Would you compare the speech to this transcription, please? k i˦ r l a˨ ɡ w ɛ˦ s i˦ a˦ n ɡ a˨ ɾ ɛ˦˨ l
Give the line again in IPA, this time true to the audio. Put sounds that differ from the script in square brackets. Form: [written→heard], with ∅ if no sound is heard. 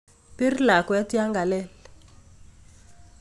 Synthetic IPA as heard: [k→p] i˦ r l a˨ [ɡ→k] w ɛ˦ [s→t] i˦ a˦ [n→ŋ] ɡ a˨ [ɾ→l] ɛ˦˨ l